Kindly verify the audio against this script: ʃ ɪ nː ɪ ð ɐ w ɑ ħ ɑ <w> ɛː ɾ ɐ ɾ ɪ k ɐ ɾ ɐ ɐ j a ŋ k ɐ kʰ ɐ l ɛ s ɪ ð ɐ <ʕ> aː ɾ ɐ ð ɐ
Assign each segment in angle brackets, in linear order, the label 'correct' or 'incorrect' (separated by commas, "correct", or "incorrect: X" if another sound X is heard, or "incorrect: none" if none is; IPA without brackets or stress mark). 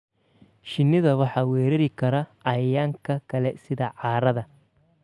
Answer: correct, correct